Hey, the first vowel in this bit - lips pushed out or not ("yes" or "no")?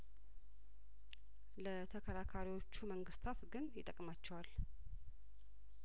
no